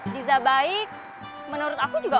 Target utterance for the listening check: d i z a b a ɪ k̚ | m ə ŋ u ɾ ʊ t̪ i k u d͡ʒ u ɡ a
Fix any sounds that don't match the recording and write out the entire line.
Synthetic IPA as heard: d i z a b a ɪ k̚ | m ə n u ɾ ʊ t̪ a k u d͡ʒ u ɡ a